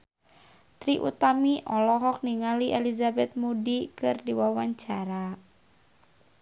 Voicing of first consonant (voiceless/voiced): voiceless